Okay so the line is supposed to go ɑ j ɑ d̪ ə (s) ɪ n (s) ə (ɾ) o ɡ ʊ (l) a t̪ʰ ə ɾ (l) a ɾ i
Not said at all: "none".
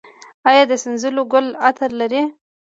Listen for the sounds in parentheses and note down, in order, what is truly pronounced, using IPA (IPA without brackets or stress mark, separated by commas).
s, z, l, l, l